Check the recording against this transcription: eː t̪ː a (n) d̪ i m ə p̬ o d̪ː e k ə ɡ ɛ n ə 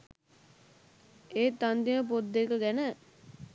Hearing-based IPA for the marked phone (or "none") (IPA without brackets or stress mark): n